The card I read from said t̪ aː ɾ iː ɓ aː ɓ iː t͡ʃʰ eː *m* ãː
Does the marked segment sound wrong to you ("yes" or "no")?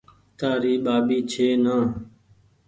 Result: yes